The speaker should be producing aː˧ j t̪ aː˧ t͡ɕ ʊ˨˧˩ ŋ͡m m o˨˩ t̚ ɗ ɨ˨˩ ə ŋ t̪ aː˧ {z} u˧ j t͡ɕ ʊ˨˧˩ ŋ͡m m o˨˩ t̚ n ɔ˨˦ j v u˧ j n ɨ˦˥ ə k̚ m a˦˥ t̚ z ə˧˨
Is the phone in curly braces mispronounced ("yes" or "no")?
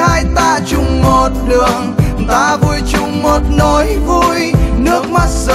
yes